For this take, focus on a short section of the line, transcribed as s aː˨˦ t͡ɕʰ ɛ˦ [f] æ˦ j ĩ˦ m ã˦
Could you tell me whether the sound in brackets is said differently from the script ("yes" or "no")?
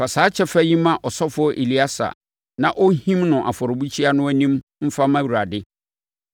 no